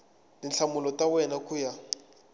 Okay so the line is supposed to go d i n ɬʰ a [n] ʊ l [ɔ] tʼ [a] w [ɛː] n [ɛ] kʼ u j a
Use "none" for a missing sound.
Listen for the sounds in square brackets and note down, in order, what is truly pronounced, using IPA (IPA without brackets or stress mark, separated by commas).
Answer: m, ɔ, a, ɛ, a